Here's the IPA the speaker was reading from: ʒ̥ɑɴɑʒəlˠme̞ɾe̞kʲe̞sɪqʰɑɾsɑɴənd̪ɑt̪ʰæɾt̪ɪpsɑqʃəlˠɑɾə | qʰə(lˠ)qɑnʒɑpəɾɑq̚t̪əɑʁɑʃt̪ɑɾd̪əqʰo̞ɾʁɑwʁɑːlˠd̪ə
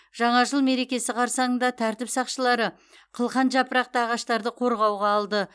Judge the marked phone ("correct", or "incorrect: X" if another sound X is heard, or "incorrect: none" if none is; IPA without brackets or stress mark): correct